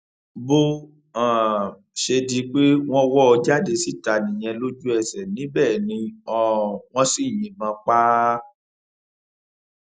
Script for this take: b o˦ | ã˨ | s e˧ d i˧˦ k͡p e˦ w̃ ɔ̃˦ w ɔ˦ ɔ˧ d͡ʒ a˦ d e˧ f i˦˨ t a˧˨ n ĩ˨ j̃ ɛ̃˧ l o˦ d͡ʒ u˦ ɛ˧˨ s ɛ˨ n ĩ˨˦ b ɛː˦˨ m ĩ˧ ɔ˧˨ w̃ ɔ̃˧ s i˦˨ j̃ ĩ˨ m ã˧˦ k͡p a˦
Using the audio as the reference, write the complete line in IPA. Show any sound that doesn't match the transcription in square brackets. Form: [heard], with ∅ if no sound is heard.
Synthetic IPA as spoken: b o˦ | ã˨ | [ʃ] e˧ d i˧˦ k͡p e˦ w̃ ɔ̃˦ w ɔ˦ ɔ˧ d͡ʒ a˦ d e˧ [s] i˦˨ t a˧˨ n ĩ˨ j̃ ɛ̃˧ l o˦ d͡ʒ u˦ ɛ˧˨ s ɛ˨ n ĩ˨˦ b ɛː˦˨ [n] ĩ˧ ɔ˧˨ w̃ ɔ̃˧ s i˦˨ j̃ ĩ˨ m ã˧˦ k͡p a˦